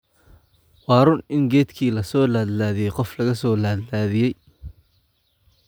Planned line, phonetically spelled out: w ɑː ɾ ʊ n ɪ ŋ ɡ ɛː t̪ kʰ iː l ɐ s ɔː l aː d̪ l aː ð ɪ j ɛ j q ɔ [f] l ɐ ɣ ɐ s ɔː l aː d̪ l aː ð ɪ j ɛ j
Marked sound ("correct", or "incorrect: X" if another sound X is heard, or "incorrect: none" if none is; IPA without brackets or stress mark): correct